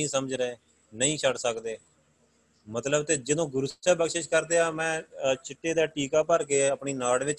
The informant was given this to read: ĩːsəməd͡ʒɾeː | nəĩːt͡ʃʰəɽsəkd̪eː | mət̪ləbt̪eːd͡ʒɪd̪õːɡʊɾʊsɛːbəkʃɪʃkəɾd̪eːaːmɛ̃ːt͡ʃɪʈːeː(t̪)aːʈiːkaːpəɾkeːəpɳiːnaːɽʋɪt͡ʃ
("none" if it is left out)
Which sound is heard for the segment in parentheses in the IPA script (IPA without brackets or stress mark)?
d̪